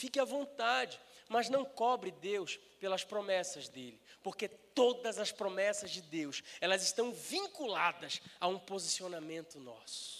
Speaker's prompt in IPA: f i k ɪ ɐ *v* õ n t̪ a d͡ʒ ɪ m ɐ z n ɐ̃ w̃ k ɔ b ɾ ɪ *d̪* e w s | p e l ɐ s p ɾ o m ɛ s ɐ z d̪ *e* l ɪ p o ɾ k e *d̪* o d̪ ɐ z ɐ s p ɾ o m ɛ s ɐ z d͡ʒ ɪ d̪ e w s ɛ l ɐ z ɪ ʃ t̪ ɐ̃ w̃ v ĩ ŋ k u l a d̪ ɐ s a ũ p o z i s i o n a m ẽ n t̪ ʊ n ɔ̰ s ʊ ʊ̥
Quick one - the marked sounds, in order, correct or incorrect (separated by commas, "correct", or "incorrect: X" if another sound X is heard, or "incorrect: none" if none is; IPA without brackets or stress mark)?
correct, correct, correct, incorrect: t̪